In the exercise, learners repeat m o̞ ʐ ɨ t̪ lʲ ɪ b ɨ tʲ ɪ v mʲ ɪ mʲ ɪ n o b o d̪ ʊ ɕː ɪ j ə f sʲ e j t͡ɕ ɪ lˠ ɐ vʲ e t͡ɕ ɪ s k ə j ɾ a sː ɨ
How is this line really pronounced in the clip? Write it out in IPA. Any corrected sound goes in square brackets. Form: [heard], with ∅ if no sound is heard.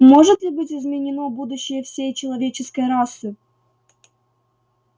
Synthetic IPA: m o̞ ʐ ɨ t̪ lʲ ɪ b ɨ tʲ ɪ [z] mʲ ɪ [nʲ] ɪ n o b [u] d̪ ʊ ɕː ɪ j ə f sʲ e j t͡ɕ ɪ lˠ ɐ vʲ e t͡ɕ ɪ s k ə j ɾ a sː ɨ

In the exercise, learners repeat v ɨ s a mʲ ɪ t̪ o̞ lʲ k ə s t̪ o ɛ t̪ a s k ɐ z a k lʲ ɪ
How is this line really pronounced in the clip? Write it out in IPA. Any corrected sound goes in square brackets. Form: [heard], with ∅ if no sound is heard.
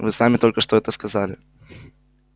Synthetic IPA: v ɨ s a mʲ ɪ t̪ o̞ lʲ k ə [ʂ] t̪ o ɛ t̪ [ə] s k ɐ z a [∅] lʲ ɪ

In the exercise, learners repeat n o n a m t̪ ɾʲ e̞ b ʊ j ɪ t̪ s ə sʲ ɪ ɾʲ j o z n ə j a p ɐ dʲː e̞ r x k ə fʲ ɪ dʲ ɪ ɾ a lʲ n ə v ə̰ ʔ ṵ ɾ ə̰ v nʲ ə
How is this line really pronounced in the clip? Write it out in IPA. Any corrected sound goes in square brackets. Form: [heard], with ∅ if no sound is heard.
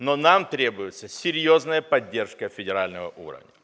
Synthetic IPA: n o n a m t̪ ɾʲ e̞ b ʊ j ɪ t̪ s ə sʲ ɪ ɾʲ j o z n ə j [ə] p ɐ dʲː e̞ r [ʂ] k ə fʲ ɪ dʲ ɪ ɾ a lʲ n ə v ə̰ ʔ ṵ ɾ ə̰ v nʲ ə

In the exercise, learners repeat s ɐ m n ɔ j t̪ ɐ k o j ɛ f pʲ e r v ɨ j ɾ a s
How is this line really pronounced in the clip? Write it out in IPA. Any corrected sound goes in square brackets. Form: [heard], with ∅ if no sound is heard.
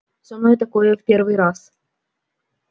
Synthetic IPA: s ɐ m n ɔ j t̪ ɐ k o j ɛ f pʲ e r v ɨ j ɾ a s

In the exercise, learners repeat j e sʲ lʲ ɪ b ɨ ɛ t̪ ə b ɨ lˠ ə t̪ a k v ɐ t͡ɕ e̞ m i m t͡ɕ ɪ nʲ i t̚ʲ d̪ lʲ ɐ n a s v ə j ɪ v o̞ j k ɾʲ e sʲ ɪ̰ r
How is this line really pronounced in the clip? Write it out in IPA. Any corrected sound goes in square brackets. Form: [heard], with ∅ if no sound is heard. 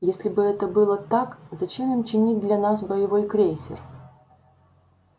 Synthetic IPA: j e sʲ lʲ ɪ b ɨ ɛ t̪ ə b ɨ lˠ ə t̪ a k [z] ɐ t͡ɕ e̞ m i m t͡ɕ ɪ nʲ i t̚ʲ d̪ lʲ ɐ n a s [b] ə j ɪ v o̞ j k ɾʲ e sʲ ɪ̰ r

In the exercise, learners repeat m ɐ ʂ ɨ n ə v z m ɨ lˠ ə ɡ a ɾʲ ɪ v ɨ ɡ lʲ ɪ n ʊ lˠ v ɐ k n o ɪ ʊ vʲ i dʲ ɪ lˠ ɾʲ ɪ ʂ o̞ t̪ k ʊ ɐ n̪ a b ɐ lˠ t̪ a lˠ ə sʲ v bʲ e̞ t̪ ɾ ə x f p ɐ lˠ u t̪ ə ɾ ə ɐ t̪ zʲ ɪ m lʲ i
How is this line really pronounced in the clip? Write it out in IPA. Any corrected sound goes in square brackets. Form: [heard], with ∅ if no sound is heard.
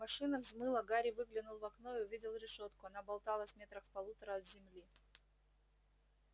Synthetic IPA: m ɐ ʂ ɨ n ə v z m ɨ lˠ ə ɡ a ɾʲ ɪ v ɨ ɡ lʲ ɪ n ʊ lˠ v ɐ k n o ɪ ʊ vʲ i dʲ ɪ lˠ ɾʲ ɪ ʂ o̞ t̪ k ʊ ɐ n̪ a b ɐ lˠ t̪ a lˠ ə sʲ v [mʲ] e̞ t̪ ɾ ə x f p ɐ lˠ u t̪ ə ɾ ə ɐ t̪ zʲ ɪ m lʲ i

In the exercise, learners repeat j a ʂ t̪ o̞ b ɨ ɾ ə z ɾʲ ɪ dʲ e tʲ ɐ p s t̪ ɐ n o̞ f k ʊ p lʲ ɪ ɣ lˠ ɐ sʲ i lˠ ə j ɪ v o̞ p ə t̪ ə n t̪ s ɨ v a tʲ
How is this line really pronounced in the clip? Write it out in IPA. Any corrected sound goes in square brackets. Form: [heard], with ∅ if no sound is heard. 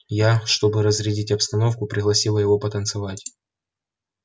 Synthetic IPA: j a ʂ t̪ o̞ b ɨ ɾ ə z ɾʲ ɪ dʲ [i] tʲ ɐ p s t̪ ɐ n o̞ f k ʊ p [ɾʲ] ɪ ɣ lˠ ɐ sʲ i lˠ ə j ɪ v o̞ p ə t̪ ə n t̪ s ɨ v a tʲ

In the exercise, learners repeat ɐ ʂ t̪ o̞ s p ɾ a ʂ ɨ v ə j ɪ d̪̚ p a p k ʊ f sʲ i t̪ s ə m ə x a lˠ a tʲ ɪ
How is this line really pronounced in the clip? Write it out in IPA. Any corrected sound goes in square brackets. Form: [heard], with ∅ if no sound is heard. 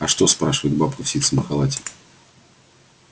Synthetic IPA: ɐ ʂ t̪ o̞ s p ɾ a ʂ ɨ v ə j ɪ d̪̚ [b] a p k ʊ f sʲ i t̪ s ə m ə x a lˠ a tʲ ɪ

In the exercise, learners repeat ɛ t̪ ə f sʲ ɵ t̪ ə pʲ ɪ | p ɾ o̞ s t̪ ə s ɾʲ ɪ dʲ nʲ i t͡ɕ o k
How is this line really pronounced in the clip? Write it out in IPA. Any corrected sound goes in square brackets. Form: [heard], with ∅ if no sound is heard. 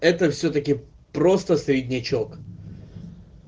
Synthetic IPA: ɛ t̪ ə f sʲ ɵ t̪ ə [kʲ] ɪ | p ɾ o̞ s t̪ ə s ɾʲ ɪ dʲ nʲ [ɪ] t͡ɕ o k

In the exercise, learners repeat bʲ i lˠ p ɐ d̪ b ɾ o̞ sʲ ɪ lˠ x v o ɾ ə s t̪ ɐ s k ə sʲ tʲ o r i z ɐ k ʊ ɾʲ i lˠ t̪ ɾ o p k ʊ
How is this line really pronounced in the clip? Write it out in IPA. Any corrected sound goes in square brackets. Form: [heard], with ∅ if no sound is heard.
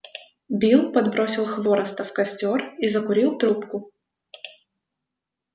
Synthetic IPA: bʲ i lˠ p ɐ d̪ b ɾ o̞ sʲ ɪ lˠ x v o ɾ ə s t̪ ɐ [f] k [ɐ] sʲ tʲ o r i z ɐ k ʊ ɾʲ i lˠ t̪ ɾ [u] p k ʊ

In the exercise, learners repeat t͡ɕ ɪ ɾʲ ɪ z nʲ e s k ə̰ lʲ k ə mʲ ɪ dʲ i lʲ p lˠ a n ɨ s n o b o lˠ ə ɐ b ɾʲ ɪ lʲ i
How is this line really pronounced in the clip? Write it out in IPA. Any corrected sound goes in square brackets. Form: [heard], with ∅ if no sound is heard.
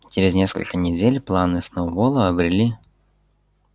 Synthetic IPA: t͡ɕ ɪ ɾʲ ɪ z nʲ e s k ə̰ lʲ k ə [nʲ] ɪ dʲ [e] lʲ p lˠ a n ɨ s n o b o lˠ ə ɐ b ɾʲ ɪ lʲ i

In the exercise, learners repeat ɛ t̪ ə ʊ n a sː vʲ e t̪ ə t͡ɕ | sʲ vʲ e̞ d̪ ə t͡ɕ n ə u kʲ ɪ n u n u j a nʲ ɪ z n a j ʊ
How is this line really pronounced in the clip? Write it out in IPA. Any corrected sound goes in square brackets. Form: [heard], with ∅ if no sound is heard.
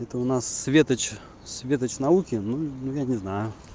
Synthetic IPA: ɛ t̪ ə ʊ n a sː vʲ e t̪ ə t͡ɕ | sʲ vʲ e̞ [t̪] ə t͡ɕ n [ɐ] u kʲ ɪ n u n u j a nʲ ɪ z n a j ʊ

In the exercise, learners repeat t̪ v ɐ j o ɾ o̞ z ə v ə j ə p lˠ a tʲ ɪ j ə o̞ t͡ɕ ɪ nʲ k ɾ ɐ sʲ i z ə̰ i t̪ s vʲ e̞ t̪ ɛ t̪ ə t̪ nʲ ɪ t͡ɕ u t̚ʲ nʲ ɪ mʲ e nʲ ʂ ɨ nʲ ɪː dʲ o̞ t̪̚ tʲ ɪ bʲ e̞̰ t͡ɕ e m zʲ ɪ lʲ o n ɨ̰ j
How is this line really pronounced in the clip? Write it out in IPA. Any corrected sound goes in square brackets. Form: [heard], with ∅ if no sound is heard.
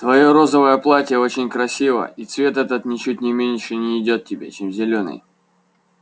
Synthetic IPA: t̪ v ɐ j o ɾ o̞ z ə v ə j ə p lˠ a tʲ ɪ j ə o̞ t͡ɕ ɪ nʲ k ɾ ɐ sʲ i [v] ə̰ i t̪ s vʲ e̞ t̪ ɛ t̪ ə t̪ nʲ ɪ t͡ɕ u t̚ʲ nʲ ɪ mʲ e nʲ ʂ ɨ nʲ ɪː dʲ o̞ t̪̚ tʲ ɪ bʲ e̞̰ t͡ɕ e m zʲ ɪ lʲ o n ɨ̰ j

